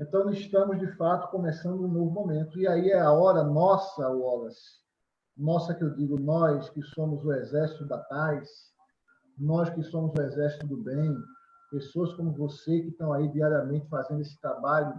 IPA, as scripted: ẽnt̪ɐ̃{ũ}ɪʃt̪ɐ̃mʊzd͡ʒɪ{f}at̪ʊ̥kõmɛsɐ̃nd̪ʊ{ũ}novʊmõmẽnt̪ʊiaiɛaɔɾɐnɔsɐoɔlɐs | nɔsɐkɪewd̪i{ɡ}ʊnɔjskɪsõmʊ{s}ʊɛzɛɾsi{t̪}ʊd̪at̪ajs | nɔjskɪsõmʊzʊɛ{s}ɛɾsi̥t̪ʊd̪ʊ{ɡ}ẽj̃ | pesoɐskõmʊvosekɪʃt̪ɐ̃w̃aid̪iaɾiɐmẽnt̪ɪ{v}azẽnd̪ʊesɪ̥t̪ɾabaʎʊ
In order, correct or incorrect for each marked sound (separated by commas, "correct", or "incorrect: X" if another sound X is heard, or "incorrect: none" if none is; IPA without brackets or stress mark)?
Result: incorrect: w̃, correct, correct, correct, incorrect: z, correct, incorrect: z, incorrect: b, incorrect: f